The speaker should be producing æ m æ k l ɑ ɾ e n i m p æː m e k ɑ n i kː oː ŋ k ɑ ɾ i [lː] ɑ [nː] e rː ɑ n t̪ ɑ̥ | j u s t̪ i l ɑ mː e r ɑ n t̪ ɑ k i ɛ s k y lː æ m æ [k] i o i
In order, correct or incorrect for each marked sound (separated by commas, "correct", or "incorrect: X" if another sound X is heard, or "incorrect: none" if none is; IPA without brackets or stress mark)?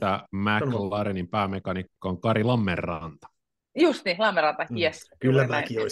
incorrect: l, incorrect: mː, correct